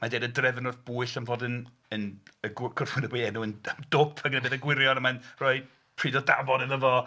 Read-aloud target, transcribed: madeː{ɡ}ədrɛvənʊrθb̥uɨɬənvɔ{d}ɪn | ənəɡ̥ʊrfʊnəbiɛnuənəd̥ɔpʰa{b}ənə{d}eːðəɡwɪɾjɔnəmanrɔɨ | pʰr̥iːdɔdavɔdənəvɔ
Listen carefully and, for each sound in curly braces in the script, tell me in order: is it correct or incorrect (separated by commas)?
incorrect, correct, incorrect, incorrect